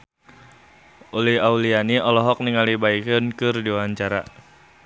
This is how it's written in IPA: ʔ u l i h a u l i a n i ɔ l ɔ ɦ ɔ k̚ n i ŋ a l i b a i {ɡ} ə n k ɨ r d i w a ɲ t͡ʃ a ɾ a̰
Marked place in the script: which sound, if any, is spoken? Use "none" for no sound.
k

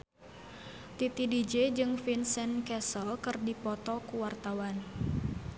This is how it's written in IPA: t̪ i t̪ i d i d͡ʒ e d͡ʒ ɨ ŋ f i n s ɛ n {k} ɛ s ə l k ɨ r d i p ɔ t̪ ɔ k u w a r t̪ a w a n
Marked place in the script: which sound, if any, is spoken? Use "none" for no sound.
k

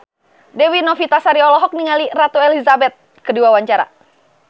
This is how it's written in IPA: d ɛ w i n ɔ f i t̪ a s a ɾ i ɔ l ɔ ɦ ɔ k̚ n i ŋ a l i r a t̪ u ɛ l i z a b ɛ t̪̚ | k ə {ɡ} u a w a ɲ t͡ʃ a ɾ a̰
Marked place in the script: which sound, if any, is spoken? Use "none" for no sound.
d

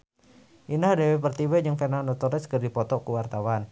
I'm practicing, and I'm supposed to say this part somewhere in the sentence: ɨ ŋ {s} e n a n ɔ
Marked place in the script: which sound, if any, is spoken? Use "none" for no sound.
f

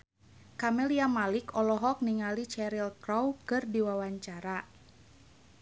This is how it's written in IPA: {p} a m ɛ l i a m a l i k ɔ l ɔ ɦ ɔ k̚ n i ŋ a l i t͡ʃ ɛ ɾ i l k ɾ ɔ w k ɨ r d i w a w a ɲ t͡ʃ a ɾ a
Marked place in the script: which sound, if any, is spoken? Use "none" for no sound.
k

